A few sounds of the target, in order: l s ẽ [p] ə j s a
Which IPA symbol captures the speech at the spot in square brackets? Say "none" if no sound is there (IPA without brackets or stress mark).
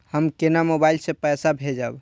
p